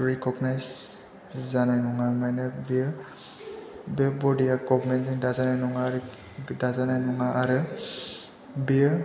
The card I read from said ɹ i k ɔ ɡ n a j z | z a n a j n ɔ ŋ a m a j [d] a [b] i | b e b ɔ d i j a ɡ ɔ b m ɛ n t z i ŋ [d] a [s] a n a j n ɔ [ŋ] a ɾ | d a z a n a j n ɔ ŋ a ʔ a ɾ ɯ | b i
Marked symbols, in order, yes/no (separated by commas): no, yes, yes, no, yes